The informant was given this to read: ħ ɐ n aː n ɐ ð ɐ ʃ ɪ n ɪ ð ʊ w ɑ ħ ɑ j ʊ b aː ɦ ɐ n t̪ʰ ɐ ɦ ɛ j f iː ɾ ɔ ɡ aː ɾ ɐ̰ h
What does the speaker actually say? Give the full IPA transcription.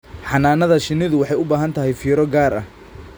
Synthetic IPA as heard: ħ ɑ n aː n ɐ ð ɐ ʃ ɪ n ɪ ð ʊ w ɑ ħ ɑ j ʊ b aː ɦ ɐ n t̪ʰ ɐ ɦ ɛ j f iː ɾ ɔ ɡ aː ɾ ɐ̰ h